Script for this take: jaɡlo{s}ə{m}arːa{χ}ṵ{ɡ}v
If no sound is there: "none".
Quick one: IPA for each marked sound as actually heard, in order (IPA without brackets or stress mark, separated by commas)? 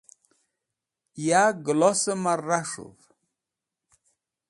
s, m, ʂ, none